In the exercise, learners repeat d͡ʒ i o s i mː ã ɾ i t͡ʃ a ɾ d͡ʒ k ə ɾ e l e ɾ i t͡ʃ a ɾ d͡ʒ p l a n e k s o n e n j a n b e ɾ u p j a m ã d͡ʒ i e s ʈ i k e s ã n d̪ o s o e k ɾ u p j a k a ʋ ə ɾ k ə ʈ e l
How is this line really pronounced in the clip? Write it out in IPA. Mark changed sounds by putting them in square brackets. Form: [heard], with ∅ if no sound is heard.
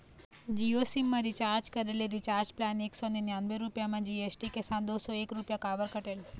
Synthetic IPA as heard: d͡ʒ i o s i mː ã ɾ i t͡ʃ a ɾ d͡ʒ k ə ɾ e l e ɾ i t͡ʃ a ɾ d͡ʒ p l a n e k s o n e n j a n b e ɾ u p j a m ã d͡ʒ i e s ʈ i k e s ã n d̪ o s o e k ɾ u p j a k a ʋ ə ɾ k ə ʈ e l